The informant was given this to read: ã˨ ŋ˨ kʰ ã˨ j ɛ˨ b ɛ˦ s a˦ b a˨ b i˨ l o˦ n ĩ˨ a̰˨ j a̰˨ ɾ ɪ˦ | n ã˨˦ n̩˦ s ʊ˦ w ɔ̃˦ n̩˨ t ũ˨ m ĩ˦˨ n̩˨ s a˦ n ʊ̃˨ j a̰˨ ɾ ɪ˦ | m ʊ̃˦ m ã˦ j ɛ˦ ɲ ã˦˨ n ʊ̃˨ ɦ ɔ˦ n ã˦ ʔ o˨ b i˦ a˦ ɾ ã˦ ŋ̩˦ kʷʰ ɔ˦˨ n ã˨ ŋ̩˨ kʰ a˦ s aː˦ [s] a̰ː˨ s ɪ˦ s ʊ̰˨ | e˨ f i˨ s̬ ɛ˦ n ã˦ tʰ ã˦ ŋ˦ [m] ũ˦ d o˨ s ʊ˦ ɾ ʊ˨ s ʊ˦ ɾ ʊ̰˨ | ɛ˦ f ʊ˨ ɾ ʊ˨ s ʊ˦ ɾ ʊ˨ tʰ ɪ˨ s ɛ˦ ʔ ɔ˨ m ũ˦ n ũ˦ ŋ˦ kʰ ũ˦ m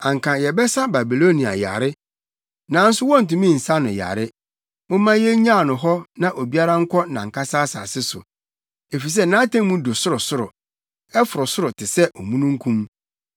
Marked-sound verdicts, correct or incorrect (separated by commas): correct, correct